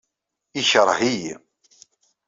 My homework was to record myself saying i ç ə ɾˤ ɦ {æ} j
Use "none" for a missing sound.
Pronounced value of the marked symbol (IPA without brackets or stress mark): i